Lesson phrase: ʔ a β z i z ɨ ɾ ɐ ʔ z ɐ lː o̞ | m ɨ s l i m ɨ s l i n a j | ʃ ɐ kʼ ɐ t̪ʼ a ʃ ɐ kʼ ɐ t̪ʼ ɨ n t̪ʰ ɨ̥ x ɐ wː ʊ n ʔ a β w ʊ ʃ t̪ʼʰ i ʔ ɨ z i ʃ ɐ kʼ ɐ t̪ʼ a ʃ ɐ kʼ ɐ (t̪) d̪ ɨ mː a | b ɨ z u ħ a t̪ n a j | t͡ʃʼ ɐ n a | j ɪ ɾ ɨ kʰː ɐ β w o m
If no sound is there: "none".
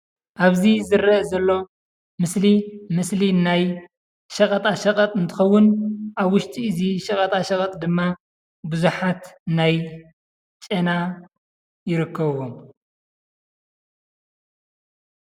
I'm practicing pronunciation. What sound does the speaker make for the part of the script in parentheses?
t̪ʼ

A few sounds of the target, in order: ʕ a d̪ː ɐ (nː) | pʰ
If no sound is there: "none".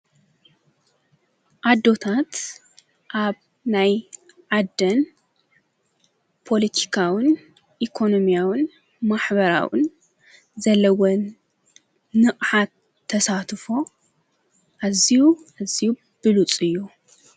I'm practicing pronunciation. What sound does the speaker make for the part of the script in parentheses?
n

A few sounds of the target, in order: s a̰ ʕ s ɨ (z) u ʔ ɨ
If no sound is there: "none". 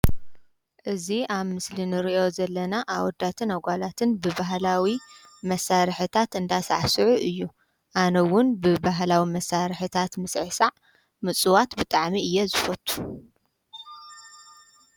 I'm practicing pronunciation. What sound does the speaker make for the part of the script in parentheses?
ʕ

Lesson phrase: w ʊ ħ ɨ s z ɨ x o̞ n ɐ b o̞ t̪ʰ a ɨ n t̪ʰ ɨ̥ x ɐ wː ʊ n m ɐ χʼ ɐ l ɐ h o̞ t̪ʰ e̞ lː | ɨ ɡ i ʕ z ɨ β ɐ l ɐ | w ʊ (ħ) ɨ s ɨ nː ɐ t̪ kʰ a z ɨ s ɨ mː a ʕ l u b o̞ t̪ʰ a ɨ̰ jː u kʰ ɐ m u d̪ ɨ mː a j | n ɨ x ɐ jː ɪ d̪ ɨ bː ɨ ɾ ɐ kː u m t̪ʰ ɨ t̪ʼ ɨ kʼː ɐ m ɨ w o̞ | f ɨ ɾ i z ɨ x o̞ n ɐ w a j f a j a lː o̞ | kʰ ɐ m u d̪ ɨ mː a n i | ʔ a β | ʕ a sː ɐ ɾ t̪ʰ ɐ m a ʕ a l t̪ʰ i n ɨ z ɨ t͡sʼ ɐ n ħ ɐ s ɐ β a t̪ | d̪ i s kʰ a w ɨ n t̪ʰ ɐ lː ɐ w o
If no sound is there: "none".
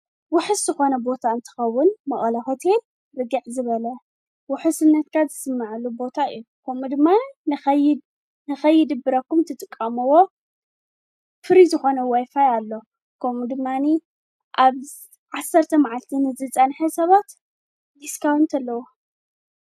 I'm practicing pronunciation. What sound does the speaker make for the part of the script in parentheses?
ħ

